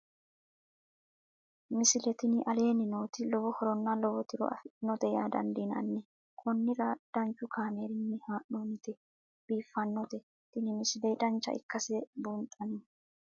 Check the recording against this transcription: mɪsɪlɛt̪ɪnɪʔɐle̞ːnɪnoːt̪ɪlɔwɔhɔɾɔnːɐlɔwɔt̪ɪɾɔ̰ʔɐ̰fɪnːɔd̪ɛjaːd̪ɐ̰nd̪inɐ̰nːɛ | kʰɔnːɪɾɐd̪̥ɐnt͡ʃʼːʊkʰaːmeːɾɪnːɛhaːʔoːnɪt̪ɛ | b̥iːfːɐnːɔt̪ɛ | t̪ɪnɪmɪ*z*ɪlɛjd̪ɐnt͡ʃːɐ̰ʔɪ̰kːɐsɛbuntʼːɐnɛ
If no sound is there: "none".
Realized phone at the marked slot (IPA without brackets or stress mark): s